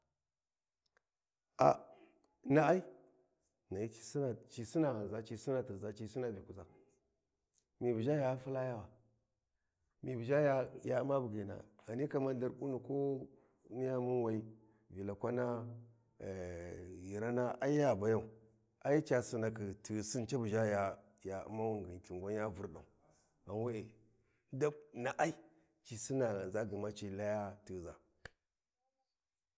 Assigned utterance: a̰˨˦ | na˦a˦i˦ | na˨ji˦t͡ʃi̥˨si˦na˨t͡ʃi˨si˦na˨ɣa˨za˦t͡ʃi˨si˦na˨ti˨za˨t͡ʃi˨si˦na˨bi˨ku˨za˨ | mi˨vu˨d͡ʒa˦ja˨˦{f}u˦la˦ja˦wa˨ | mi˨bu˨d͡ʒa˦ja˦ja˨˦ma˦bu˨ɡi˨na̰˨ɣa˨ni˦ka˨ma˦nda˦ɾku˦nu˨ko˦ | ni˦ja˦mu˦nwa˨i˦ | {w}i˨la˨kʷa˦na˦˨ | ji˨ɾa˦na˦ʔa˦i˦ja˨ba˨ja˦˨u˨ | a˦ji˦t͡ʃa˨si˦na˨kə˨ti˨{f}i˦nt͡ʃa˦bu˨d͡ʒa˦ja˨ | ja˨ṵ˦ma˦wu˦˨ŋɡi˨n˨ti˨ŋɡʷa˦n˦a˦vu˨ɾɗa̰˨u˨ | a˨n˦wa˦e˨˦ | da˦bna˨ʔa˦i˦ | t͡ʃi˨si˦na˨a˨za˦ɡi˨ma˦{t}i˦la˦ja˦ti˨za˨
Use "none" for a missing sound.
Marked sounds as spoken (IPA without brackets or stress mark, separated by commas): f, v, s, t͡ʃ